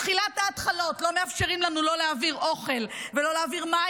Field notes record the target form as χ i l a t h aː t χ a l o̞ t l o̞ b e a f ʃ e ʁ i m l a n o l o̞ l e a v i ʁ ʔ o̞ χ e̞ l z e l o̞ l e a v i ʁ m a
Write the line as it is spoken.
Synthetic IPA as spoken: χ i l a t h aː t χ a l o̞ t l o̞ m e a f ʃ e ʁ i m l a n u l o̞ l e a v i ʁ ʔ o̞ χ e̞ l v e l o̞ l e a v i ʁ m a